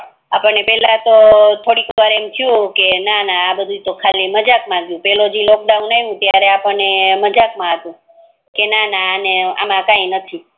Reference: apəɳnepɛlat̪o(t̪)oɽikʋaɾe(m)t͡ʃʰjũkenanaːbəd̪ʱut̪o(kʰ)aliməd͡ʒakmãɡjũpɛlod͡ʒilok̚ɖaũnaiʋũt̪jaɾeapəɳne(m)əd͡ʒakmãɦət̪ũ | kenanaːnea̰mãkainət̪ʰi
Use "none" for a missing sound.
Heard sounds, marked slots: t̪ʰ, m, kʰ, m

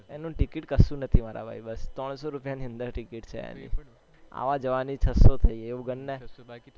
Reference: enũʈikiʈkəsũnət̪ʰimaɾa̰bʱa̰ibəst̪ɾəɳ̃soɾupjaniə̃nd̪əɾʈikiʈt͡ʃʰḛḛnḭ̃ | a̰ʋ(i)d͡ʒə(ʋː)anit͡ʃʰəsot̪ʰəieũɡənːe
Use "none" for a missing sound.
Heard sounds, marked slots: a, ʋ

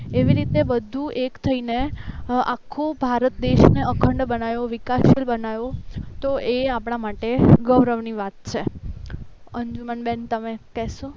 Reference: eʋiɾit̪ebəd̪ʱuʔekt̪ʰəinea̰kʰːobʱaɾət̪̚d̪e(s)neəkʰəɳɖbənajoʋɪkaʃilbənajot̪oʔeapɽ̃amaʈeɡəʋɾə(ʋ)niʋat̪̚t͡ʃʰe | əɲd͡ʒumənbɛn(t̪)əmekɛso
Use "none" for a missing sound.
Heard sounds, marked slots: ʃ, ʋ, t̪

